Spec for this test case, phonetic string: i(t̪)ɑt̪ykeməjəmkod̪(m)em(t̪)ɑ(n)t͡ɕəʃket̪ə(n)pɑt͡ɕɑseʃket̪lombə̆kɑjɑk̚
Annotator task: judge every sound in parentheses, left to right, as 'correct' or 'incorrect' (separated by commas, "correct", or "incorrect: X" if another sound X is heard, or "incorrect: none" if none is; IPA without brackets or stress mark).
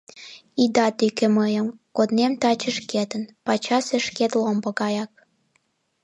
incorrect: d̪, incorrect: n, correct, incorrect: none, correct